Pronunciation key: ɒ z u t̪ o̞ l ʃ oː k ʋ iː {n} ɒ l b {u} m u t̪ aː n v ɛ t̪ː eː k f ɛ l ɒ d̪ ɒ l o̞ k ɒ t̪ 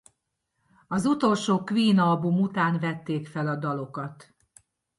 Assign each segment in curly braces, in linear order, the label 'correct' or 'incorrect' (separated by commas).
correct, correct